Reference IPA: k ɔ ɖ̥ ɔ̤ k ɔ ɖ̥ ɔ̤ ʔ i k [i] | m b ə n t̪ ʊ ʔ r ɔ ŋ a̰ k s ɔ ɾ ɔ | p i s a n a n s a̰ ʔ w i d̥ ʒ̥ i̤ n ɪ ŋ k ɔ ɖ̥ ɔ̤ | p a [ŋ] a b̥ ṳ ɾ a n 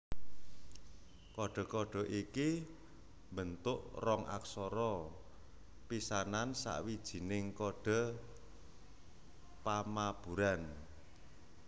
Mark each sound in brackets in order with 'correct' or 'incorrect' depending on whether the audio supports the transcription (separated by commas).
correct, incorrect